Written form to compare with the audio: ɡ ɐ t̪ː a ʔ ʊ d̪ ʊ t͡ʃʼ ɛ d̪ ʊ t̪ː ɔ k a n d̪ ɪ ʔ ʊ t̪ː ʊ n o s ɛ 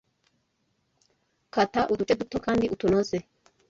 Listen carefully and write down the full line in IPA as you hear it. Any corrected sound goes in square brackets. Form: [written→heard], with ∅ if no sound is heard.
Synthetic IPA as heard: [ɡ→k] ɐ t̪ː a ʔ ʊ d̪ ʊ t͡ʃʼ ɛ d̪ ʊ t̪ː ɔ k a n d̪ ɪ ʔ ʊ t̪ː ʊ n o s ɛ